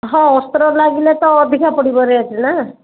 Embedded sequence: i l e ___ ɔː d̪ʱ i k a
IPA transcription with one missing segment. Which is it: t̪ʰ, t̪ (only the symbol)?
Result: t̪